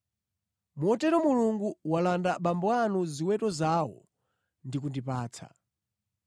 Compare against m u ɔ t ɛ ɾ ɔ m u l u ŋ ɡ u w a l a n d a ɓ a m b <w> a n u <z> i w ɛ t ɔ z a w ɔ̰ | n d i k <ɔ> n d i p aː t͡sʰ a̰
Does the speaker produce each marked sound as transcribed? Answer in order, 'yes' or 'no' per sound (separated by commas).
yes, yes, no